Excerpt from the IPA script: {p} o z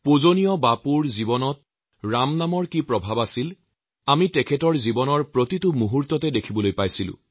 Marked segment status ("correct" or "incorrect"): correct